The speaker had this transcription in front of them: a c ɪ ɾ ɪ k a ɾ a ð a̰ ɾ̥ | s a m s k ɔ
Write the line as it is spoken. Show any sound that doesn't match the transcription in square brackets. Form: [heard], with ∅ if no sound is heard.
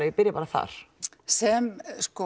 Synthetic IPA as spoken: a [p] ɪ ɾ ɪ [p] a ɾ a [θ] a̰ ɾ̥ | s [ɛ] m s k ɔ